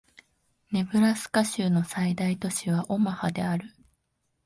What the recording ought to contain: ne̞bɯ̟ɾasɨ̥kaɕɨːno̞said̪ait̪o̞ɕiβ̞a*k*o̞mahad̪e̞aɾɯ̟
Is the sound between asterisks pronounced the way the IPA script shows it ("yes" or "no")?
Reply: no